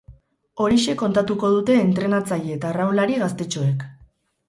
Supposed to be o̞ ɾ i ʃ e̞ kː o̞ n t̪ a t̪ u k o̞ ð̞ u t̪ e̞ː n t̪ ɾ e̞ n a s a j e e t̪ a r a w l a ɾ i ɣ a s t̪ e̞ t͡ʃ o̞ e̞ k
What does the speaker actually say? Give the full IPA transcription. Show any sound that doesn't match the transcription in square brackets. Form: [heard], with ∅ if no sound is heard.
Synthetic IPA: o̞ ɾ i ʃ e̞ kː o̞ n t̪ a t̪ u k o̞ ð̞ u t̪ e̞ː n t̪ ɾ e̞ n a [t͡s] a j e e t̪ a r a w l a ɾ i ɣ a s t̪ e̞ t͡ʃ o̞ e̞ k